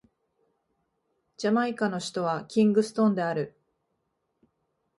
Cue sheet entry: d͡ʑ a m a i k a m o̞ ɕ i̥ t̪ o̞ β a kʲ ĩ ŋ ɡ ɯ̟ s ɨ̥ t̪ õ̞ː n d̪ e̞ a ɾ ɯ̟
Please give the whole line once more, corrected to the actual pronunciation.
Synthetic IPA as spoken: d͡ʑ a m a i k a n o̞ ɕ i̥ t̪ o̞ β a kʲ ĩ ŋ ɡ ɯ̟ s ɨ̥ t̪ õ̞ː n d̪ e̞ a ɾ ɯ̟

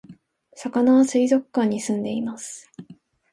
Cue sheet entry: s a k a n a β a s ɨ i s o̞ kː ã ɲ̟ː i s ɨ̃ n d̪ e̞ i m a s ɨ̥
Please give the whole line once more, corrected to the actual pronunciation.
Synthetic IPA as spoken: s a k a n a β a s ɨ i z o̞ kː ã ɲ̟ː i s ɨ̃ n d̪ e̞ i m a s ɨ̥

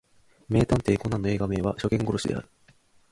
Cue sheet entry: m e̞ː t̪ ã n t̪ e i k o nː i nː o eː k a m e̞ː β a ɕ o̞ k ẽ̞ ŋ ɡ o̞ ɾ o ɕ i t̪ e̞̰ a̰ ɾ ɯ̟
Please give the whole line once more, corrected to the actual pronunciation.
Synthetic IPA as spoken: m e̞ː t̪ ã n t̪ e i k o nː a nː o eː ɡ a m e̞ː β a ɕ o̞ k ẽ̞ ŋ ɡ o̞ ɾ o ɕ i d̪ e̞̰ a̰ ɾ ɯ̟

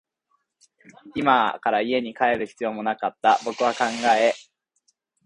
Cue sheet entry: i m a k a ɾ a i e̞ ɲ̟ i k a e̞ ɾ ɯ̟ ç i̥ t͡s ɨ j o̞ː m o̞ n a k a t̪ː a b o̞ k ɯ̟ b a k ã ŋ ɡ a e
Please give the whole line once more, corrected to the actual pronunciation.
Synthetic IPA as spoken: i m a k a ɾ a i e̞ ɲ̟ i k a e̞ ɾ ɯ̟ ç i̥ t͡s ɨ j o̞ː m o̞ n a k a t̪ː a b o̞ k ɯ̟ β a k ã ŋ ɡ a e

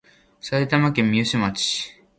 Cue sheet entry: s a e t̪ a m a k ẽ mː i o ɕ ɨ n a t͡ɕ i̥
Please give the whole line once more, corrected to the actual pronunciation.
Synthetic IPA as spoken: s a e t̪ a m a k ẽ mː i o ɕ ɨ m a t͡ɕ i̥

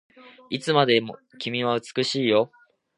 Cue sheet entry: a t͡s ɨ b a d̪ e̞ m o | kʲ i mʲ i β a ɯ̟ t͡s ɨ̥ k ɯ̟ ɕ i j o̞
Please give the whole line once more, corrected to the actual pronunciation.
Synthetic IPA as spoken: i t͡s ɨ m a d̪ e̞ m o | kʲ i mʲ i β a ɯ̟ t͡s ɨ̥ k ɯ̟ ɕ iː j o̞

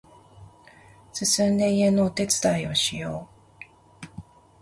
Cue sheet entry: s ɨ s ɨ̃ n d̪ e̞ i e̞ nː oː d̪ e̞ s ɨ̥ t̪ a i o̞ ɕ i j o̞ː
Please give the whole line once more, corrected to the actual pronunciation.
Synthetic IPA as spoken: s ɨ s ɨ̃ n d̪ e̞ i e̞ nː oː t̪ e̞ t͡s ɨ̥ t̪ a i o̞ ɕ i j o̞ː

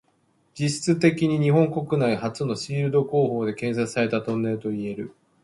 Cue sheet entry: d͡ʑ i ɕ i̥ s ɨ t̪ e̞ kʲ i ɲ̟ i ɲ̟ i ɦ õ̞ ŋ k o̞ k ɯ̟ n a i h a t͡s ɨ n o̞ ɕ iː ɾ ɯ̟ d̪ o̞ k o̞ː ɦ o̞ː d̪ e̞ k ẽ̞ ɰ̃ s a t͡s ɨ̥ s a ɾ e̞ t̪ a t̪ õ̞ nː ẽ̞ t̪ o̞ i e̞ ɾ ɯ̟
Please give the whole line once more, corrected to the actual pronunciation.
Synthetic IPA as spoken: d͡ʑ i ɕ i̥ t͡s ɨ t̪ e̞ kʲ i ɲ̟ i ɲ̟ i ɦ õ̞ ŋ k o̞ k ɯ̟ n a i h a t͡s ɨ n o̞ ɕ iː ɾ ɯ̟ d̪ o̞ k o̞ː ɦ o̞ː d̪ e̞ k ẽ̞ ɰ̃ s a t͡s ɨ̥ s a ɾ e̞ t̪ a t̪ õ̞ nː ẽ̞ t̪ o̞ i e̞ ɾ ɯ̟

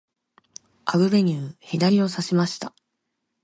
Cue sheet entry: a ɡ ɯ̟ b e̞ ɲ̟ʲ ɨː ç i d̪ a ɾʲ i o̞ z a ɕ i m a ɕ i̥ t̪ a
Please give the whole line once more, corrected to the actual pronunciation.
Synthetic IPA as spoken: a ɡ ɯ̟ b e̞ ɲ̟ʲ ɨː ç i d̪ a ɾʲ i o̞ s a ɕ i m a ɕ i̥ t̪ a

